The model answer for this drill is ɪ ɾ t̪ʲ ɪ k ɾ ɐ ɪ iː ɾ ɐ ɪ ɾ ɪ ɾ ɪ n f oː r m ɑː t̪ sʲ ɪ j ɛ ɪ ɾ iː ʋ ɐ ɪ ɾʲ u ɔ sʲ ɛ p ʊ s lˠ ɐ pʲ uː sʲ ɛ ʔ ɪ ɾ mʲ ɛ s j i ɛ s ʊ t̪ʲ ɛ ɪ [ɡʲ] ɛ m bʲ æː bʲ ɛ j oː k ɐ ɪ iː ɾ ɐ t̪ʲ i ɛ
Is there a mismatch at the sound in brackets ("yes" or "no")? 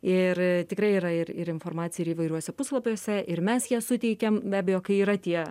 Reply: yes